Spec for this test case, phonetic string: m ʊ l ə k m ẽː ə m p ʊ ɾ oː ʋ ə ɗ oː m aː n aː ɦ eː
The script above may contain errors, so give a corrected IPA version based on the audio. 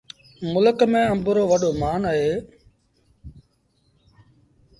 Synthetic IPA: m ʊ l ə k m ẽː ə m b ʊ ɾ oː ʋ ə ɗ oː m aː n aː ɦ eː